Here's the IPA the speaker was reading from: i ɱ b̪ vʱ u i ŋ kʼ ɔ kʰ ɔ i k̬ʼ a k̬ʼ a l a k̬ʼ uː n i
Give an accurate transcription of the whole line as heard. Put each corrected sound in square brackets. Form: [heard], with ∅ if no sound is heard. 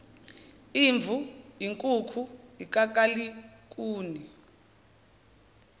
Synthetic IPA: i ɱ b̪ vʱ u i ŋ kʼ [u] kʰ [u] i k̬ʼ a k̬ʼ a l [i] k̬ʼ uː n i